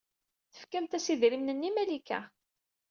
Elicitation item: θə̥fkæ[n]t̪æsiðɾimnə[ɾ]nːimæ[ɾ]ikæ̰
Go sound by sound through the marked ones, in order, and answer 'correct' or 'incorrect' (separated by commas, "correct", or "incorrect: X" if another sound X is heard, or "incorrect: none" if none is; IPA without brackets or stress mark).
incorrect: m, incorrect: none, incorrect: l